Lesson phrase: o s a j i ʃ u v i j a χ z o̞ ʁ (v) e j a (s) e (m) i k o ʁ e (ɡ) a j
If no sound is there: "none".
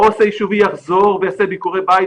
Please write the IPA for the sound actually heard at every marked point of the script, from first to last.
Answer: v, s, b, b

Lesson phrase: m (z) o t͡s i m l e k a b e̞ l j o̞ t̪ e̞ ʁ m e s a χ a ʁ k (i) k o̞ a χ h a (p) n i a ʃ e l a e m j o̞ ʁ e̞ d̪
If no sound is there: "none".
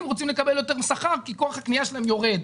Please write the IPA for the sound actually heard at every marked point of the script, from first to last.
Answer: ʁ, i, k

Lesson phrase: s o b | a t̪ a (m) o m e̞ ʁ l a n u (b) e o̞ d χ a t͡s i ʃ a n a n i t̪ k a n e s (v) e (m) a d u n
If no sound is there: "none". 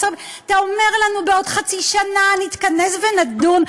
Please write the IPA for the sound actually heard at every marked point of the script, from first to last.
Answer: none, b, v, n

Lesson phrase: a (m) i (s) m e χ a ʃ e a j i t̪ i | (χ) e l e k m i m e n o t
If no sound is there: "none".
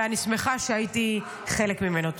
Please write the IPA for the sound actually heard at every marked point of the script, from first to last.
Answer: n, s, χ

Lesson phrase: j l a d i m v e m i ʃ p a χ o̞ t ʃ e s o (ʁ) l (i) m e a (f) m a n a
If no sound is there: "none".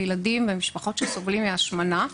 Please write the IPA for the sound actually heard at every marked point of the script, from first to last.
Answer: v, i, ʃ

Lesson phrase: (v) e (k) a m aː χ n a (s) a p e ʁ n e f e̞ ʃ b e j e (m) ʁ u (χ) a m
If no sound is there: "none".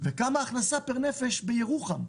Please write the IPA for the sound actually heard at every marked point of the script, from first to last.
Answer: v, k, s, none, χ

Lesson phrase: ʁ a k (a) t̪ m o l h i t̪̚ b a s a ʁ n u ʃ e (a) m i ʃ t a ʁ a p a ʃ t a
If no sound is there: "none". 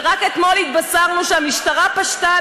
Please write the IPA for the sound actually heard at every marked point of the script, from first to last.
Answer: e, a

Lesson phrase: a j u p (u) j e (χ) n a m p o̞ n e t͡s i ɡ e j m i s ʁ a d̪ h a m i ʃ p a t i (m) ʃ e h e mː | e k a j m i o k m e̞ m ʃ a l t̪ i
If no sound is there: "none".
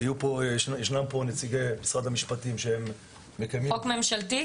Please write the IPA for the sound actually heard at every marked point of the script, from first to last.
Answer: o, ʃ, m

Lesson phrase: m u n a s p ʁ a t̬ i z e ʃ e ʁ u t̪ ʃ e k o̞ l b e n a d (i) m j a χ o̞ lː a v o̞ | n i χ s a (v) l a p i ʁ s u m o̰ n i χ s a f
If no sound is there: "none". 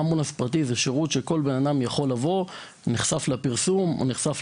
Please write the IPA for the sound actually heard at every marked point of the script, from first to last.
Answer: a, f

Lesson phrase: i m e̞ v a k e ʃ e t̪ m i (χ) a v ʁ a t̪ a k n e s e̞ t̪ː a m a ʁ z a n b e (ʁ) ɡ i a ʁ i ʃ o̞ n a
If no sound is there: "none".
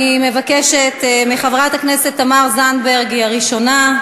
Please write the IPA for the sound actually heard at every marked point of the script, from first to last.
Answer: χ, ʁ

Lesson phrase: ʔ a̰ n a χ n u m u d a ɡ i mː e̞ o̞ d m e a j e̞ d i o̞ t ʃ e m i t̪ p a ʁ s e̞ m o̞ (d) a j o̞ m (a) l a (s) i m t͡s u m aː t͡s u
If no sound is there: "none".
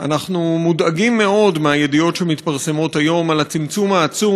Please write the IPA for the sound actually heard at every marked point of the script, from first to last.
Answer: t, a, t͡s

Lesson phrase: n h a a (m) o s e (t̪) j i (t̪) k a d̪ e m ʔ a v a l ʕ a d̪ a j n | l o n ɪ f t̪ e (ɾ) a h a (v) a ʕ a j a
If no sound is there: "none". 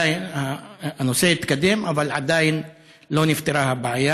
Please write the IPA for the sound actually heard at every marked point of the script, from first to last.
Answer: n, none, t̪, ɾ, b

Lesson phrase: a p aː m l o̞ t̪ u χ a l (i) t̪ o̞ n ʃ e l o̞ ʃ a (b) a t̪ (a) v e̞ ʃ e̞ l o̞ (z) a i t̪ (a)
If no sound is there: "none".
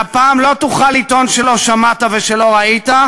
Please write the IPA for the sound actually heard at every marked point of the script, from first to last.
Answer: i, m, a, ʁ, a

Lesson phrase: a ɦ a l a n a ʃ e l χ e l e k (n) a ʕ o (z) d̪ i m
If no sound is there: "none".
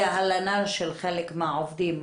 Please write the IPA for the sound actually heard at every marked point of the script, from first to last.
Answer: m, v

